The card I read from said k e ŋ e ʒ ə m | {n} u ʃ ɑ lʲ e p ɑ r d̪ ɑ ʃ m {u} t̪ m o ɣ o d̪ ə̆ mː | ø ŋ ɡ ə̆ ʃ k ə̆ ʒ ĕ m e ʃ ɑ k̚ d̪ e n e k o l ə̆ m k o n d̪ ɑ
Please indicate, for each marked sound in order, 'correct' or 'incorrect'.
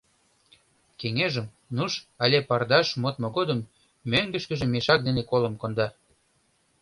correct, incorrect: o

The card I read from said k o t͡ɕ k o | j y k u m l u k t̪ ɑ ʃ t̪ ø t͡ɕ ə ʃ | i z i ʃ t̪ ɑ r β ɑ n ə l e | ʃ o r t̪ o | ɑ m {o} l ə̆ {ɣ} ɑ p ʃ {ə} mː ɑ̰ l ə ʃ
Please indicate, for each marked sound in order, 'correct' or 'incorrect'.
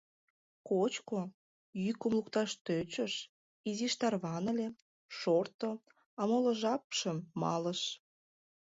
correct, incorrect: ʒ, correct

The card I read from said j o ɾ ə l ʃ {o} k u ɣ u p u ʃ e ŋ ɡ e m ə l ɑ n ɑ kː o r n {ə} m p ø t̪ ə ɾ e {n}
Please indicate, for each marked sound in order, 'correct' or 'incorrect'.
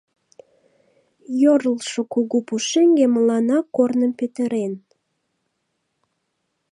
correct, correct, correct

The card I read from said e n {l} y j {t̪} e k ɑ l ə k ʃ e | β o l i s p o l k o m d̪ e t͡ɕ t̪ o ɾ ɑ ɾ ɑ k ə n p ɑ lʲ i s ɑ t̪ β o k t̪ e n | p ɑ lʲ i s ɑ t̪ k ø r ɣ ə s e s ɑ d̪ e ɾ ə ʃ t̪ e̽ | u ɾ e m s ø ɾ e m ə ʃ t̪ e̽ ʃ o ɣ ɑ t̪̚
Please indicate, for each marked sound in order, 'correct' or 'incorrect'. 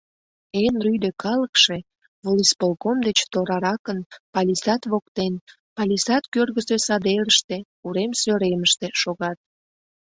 incorrect: r, incorrect: d̪

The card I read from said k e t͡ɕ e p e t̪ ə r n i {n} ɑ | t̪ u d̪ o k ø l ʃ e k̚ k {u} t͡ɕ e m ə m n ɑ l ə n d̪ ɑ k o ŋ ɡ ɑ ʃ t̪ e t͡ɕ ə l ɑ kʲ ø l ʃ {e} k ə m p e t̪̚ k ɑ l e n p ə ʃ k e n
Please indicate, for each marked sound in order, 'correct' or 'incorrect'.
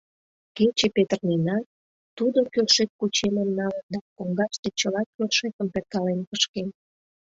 correct, correct, correct

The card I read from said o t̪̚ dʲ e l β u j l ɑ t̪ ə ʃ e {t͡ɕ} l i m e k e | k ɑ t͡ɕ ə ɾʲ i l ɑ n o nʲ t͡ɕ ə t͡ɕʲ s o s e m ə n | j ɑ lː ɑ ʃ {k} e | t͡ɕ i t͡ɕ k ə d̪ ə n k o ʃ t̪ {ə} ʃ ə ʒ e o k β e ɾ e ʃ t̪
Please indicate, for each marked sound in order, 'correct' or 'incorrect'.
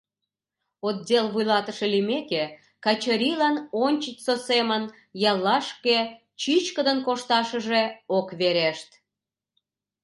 incorrect: none, correct, incorrect: ɑ

